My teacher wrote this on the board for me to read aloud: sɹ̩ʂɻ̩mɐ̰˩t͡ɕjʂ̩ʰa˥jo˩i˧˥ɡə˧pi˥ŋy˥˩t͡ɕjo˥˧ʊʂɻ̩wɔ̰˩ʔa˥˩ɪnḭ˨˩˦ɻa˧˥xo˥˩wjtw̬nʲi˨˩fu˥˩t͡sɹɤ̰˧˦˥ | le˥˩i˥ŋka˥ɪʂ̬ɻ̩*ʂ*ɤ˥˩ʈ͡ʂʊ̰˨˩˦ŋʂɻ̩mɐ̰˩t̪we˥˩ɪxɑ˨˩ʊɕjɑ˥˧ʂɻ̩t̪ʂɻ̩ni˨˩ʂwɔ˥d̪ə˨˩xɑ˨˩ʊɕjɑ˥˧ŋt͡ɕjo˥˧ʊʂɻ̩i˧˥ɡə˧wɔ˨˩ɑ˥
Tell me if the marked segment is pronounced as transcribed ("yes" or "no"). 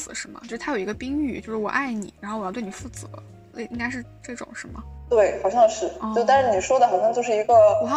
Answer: no